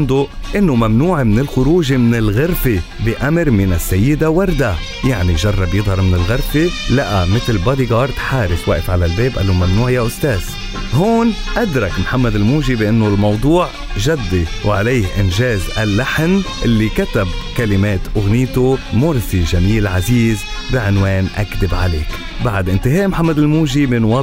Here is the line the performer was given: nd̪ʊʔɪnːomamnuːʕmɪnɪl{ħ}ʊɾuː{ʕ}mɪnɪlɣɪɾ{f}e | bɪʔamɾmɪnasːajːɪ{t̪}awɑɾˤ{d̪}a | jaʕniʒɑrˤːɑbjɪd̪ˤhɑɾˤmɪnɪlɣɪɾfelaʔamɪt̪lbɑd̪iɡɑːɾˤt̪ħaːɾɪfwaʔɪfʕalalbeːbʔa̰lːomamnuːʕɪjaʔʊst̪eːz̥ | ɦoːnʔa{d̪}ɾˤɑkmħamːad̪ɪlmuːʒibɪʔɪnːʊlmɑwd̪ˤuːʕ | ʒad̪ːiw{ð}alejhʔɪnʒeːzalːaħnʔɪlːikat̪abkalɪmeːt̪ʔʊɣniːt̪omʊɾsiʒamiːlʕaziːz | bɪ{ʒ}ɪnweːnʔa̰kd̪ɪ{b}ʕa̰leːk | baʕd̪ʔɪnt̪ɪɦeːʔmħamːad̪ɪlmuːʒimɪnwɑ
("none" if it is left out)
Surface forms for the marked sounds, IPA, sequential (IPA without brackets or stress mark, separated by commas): x, ʒ, f, d̪, d̪, d̪, ʕ, ʕ, b